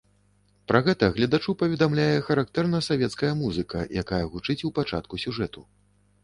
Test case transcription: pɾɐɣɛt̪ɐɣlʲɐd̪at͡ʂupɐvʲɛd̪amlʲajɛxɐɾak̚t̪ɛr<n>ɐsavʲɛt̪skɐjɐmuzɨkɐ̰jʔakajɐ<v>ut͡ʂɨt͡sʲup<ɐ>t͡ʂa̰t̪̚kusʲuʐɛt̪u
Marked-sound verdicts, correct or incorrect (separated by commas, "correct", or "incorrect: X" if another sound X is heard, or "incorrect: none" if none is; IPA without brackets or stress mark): correct, incorrect: ɣ, incorrect: a